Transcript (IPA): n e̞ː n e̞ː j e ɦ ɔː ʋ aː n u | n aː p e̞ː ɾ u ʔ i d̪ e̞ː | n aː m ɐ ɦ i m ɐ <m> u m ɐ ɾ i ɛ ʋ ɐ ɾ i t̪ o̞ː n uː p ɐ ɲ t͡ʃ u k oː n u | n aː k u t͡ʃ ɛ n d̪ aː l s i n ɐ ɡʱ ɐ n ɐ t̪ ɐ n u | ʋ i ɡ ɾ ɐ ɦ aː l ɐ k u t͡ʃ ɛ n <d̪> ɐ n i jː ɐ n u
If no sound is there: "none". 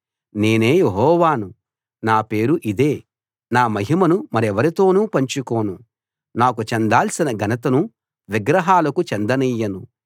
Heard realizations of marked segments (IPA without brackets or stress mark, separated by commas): n, d̪